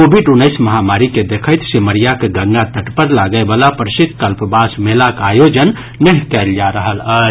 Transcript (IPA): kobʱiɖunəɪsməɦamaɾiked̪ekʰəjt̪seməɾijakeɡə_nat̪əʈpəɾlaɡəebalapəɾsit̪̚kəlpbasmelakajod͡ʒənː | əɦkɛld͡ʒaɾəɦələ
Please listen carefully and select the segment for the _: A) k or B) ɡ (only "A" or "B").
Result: B